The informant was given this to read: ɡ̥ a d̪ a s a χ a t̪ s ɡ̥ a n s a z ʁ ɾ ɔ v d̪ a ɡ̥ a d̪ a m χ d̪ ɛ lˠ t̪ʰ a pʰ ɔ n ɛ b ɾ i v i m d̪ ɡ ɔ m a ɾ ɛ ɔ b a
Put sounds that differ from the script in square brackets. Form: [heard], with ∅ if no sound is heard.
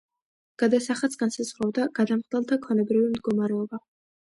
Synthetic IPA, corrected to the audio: ɡ̥ a d̪ a s a χ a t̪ s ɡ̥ a n s a z ʁ ɾ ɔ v d̪ a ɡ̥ a d̪ a m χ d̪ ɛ lˠ t̪ʰ a [kʰ] ɔ n ɛ b ɾ i v i m d̪ ɡ ɔ m a ɾ ɛ ɔ b a